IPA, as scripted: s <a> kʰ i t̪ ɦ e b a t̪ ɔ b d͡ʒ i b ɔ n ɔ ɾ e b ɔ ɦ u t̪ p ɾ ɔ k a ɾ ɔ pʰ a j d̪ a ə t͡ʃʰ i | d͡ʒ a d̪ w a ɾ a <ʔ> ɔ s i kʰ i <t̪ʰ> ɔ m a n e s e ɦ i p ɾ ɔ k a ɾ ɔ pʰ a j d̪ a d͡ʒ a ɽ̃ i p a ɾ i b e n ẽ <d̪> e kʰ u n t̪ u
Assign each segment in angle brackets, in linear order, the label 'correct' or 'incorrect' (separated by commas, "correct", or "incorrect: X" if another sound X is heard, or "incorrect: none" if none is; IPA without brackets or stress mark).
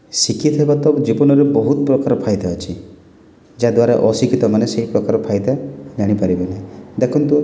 incorrect: i, correct, incorrect: t̪, correct